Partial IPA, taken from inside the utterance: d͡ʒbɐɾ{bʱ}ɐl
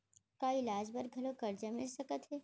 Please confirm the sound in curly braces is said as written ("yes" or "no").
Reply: no